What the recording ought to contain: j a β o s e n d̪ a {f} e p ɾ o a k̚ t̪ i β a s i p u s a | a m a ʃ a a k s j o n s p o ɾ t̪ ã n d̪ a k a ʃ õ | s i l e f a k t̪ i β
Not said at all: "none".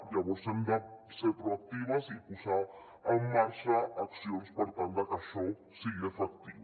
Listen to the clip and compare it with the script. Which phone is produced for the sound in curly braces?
s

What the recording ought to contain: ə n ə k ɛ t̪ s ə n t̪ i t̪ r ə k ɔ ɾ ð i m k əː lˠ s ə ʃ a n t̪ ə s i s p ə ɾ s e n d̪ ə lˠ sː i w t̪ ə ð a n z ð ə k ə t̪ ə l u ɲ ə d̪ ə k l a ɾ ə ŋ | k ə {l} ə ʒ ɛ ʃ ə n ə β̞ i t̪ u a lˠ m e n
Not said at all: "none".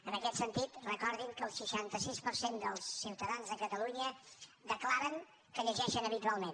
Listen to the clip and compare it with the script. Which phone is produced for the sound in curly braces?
ʎ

